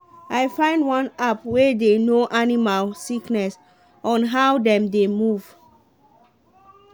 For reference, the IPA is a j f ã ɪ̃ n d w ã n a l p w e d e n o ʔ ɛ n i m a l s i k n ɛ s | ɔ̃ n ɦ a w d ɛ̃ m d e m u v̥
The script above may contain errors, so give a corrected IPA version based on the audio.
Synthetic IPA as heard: a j f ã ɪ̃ n d w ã n a p w e d e n o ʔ a n i m a l s i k n ɛ s | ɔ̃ n ɦ a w d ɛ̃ m d e m u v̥

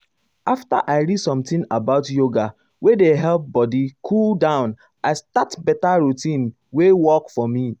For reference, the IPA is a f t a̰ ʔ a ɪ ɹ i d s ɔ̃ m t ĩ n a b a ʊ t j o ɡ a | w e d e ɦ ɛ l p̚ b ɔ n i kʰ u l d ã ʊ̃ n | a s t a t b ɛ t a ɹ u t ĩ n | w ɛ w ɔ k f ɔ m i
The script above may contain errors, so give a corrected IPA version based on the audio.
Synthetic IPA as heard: a f t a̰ ʔ a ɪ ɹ i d s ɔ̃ m t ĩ n a b a ʊ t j o ɡ a | w e d e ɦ ɛ l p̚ b ɔ d i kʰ u l d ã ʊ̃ n | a s t a t b ɛ t a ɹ u t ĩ n | w e w ɔ k f ɔ m i

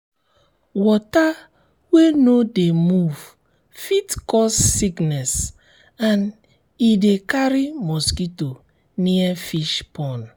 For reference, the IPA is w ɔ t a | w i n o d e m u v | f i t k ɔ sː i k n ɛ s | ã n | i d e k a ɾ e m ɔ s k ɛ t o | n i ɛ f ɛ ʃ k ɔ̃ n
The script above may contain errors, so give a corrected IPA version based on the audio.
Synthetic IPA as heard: w ɔ t a | w e n o d e m u v | f i t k ɔ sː i k n ɛ s | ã n | i d e k a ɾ i m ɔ s k i t o | n i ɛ f i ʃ p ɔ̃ n

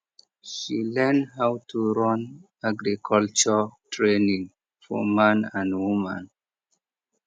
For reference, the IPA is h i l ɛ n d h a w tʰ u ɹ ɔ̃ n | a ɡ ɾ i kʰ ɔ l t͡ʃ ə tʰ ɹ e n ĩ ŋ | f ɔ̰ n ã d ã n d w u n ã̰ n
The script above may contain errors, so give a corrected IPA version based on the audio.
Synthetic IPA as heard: ʃ i l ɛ n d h a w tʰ u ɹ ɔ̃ n | a ɡ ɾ i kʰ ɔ l t͡ʃ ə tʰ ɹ e n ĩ ŋ | f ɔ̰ m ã n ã n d w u m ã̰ n

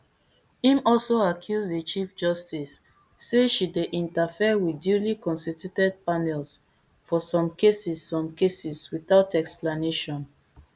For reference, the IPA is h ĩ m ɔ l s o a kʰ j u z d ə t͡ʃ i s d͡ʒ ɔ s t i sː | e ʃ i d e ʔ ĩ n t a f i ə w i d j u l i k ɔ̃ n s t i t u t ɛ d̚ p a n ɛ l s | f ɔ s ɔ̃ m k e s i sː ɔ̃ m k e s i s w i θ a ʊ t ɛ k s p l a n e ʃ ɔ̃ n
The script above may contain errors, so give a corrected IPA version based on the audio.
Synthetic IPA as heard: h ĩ m ɔ l s o a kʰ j u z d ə t͡ʃ i f d͡ʒ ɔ s t i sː | e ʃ i d e ʔ ĩ n t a f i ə w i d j u l i k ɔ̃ n s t i t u t ɛ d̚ p a n ɛ l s | f ɔ s ɔ̃ m k e s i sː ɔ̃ m k e s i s w i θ a ʊ t ɛ k s p l a n e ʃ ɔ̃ n

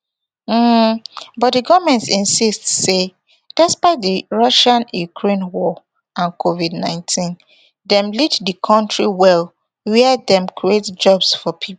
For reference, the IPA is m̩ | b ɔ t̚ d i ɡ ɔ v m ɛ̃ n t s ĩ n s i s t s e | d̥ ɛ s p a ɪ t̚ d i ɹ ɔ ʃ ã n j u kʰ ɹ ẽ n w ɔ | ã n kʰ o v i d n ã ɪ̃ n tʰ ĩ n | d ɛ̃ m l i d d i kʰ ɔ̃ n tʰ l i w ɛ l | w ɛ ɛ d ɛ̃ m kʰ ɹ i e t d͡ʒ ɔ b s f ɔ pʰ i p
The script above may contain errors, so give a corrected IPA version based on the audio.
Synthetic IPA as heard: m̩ | b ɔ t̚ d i ɡ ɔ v m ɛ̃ n t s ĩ n s i s t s e | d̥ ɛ s p a ɪ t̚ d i ɹ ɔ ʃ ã n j u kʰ ɹ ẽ n w ɔ | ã n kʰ o v i d n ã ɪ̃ n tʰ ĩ n | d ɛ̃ m l i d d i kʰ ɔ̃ n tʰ ɹ i w ɛ l | w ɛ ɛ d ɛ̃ m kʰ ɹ i e t d͡ʒ ɔ b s f ɔ pʰ i p

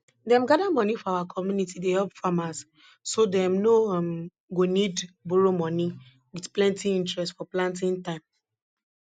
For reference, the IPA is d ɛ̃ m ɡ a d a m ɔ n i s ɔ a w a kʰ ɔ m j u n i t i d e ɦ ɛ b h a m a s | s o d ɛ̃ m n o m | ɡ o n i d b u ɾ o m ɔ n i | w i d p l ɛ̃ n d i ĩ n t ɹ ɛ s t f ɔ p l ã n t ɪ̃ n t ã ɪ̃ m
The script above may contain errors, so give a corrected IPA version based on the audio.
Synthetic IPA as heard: d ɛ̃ m ɡ a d a m ɔ n i f ɔ a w a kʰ ɔ m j u n i t i d e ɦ ɛ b f a m a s | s o d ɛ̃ m n o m | ɡ o n i d b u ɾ o m ɔ n i | w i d p l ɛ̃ n t i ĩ n t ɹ ɛ s t f ɔ p l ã n t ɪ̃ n t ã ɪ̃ m

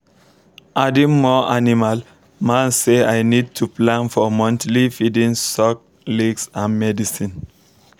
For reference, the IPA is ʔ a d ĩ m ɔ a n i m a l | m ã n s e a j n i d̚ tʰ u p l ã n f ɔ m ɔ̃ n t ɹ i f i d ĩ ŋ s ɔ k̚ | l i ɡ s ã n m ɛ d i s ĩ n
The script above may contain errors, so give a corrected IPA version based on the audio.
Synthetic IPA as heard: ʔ a d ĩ m ɔ a n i m a l | m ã n s e a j n i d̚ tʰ u p l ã n f ɔ m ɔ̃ n t l i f i d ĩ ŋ s ɔ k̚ | l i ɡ s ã n m ɛ d i s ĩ n

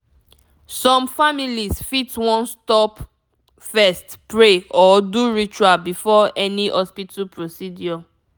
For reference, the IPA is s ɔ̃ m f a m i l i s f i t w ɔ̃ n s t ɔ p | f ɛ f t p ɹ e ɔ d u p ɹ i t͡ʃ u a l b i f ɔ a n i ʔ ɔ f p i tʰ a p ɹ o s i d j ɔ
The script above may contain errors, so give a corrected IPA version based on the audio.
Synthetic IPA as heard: s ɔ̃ m f a m i l i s f i t w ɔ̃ n s t ɔ p | f ɛ s t p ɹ e ɔ d u ɹ i t͡ʃ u a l b i f ɔ ɛ n i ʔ ɔ s p i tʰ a p ɹ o s i d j ɔ

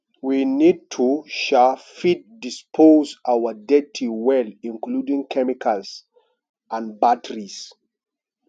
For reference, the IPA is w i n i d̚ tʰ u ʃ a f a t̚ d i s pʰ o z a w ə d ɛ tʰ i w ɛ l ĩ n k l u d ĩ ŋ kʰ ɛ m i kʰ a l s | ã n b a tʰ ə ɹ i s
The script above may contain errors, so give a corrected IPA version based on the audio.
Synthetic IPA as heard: w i n i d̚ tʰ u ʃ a f i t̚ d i s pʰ o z a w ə d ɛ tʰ i w ɛ l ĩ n k l u d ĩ ŋ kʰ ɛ m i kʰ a l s | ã n b a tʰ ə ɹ i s

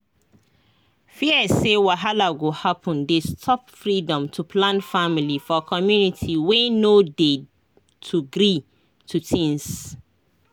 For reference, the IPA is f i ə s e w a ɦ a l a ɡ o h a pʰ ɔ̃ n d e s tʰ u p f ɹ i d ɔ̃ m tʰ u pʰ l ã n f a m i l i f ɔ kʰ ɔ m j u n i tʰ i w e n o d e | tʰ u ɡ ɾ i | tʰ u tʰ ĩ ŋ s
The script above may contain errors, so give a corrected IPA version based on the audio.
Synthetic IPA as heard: f i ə s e w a ɦ a l a ɡ o h a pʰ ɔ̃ n d e s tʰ ɔ p f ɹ i d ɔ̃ m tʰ u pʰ l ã n f a m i l i f ɔ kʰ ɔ m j u n i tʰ i w e n o d e | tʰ u ɡ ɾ i | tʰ u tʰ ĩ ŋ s

